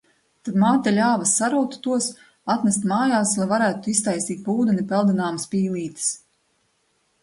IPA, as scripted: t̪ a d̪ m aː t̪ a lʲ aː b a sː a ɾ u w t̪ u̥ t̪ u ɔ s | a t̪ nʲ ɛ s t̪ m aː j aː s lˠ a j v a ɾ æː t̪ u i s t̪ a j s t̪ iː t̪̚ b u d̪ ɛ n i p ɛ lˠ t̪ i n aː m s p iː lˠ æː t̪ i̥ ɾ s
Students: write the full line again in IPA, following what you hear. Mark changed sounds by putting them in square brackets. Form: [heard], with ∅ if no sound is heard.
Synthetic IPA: t̪ a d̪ m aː t̪ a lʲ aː [v] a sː a ɾ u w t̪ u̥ t̪ u ɔ s | a t̪ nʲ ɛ s t̪ m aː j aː s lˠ a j v a ɾ æː t̪ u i s t̪ a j s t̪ iː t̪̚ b [uː] d̪ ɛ n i p ɛ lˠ [d̪] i n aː m s p iː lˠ [iː] t̪ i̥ [∅] s

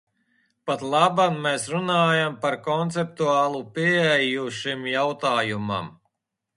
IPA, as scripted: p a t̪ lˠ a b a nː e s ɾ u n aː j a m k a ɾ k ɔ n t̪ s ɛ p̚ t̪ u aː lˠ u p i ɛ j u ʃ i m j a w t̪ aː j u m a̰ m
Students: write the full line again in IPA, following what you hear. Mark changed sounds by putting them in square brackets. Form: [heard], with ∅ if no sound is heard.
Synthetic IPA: p a t̪ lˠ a b a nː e s ɾ u n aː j a m [p] a ɾ k ɔ n t̪ s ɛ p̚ t̪ u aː lˠ u p i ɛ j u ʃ i m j a w t̪ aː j u m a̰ m

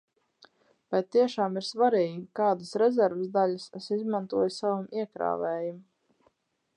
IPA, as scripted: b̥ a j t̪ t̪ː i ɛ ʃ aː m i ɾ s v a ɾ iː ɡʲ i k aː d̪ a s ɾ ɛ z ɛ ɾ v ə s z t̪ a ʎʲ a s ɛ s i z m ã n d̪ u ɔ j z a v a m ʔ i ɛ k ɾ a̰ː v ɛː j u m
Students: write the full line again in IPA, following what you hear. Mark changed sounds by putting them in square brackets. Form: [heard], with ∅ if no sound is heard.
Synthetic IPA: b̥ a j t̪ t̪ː i ɛ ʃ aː m i ɾ s v a ɾ iː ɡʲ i k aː d̪ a s ɾ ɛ z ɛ ɾ v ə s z [d̪] a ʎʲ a s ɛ s i z m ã n [t̪] u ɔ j [s] a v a m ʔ i ɛ k ɾ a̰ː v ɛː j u m

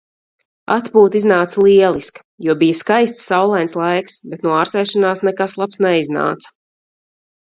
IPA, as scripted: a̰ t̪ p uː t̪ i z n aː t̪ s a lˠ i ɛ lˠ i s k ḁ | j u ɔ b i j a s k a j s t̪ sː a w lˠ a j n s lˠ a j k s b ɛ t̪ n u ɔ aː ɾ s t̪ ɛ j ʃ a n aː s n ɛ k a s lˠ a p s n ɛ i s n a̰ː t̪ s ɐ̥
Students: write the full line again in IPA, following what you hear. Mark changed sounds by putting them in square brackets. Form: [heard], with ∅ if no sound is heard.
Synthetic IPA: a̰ t̪ p uː t̪ i z n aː t̪ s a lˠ i ɛ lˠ i s k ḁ | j u ɔ b i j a s k a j s t̪ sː a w lˠ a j n s lˠ a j k s b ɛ t̪ n u ɔ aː ɾ s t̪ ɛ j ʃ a n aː s n ɛ k a s lˠ a p s n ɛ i [z] n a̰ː t̪ s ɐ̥

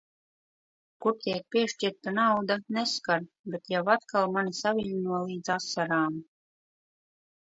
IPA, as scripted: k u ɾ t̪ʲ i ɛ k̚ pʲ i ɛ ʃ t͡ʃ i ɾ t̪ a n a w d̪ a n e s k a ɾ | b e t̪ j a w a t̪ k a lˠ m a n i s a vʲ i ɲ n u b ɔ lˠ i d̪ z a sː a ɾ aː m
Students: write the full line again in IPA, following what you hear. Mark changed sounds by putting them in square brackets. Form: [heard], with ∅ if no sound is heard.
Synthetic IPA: k u ɾ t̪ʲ i ɛ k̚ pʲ i ɛ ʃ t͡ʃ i ɾ t̪ a n a w d̪ a n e s k a ɾ | b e t̪ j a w a t̪ k a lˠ m a n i s a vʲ i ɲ n u [∅] ɔ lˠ [iː] d̪ z a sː a ɾ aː m

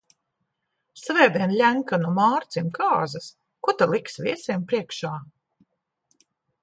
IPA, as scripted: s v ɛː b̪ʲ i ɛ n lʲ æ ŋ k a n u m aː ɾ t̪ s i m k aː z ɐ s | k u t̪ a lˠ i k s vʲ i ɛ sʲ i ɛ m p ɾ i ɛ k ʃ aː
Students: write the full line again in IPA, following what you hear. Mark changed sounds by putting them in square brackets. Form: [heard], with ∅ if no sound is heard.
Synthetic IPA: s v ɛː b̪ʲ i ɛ n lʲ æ ŋ k a n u m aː ɾ t̪ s i m k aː z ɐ s | k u t̪ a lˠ i k s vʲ i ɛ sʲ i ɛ m p ɾ i ɛ k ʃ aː

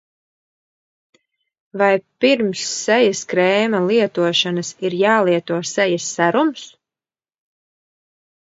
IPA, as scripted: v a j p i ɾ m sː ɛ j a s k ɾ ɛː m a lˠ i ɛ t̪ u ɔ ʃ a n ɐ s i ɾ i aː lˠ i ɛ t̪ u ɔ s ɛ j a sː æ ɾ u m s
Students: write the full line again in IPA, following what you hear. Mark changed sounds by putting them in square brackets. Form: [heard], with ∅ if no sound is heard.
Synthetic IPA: v a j p i ɾ m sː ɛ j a s k ɾ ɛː m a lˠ i ɛ t̪ u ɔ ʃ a n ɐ s i ɾ [j] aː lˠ i ɛ t̪ u ɔ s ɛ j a sː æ ɾ u m s

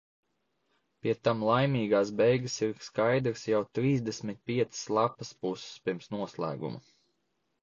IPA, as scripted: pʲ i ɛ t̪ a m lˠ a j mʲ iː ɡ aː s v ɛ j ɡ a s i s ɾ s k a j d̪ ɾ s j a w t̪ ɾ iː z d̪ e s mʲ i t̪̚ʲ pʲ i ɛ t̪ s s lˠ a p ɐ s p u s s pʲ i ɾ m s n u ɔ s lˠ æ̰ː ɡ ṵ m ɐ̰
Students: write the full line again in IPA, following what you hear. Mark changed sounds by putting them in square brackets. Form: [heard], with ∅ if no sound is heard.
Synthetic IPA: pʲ i ɛ t̪ a m lˠ a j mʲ iː ɡ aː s [b] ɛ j ɡ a s i [∅] ɾ s k a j d̪ ɾ s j a w t̪ ɾ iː z d̪ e s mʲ i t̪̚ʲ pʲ i ɛ t̪ s s lˠ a p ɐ s p u s s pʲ i ɾ m s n u ɔ s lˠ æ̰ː ɡ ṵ m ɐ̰

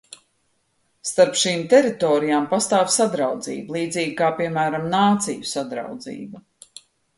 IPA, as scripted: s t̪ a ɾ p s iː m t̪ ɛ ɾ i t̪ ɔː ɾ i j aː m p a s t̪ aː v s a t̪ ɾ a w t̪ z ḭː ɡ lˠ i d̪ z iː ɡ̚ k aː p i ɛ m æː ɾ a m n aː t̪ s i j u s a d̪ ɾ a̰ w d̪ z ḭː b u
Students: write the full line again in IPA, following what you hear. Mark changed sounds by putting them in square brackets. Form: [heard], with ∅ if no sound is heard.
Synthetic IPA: s t̪ a ɾ p [ʃ] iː m t̪ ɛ ɾ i t̪ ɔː ɾ i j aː m p a s t̪ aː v s a [d̪] ɾ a w [d̪] z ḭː [b] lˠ [iː] d̪ z iː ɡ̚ k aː p i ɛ m æː ɾ a m n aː t̪ s i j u s a d̪ ɾ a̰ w d̪ z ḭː b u

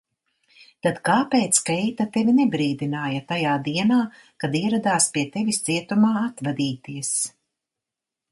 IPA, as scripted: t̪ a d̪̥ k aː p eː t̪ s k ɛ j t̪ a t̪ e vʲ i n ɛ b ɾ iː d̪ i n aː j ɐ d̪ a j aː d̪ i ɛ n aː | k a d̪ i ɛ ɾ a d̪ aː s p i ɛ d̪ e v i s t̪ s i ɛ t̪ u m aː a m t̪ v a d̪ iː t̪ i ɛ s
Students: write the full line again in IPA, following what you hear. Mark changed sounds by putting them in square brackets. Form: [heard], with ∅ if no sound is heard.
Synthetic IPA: t̪ a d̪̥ k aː p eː t̪ s k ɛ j t̪ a t̪ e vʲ i n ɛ b ɾ iː d̪ i n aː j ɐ [t̪] a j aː d̪ i ɛ n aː | k a d̪ i ɛ ɾ a d̪ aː s p i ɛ [t̪] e v i s t̪ s i ɛ t̪ u m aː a [∅] t̪ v a d̪ iː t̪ i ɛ s

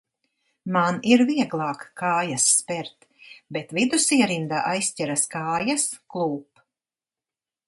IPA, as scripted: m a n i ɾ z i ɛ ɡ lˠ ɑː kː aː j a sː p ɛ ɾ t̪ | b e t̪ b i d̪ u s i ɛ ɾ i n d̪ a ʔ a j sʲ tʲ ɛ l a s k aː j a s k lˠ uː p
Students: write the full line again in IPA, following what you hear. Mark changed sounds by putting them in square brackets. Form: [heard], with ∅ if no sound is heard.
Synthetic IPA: m a n i ɾ [v] i ɛ ɡ lˠ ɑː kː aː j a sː p ɛ ɾ t̪ | b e t̪ [v] i d̪ u s i ɛ ɾ i n d̪ a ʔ a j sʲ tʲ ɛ [ɾ] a s k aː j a s k lˠ uː p

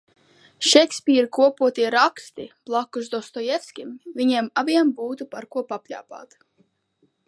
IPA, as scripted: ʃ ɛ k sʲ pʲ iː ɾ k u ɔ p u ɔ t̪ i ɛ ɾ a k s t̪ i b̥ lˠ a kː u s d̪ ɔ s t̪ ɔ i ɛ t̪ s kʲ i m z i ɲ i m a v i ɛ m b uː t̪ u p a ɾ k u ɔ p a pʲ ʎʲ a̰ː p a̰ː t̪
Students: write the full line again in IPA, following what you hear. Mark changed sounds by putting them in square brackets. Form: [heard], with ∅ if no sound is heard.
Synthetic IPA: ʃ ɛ k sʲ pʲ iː ɾ k u ɔ p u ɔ t̪ i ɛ ɾ a k s t̪ i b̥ lˠ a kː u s d̪ ɔ s t̪ ɔ [j] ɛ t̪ s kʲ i m [v] i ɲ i m a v i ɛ m b uː t̪ u p a ɾ k u ɔ p a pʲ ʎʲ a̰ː p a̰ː t̪

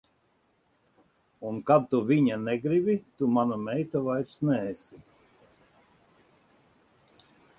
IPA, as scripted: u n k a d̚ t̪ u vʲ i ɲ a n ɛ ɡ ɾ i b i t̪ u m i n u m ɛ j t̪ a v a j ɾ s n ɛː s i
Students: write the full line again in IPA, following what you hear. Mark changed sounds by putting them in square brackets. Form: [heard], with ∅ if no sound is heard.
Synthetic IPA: u n k a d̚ t̪ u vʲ i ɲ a n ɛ ɡ ɾ i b i t̪ u m [a] n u m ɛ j t̪ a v a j ɾ s n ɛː s i

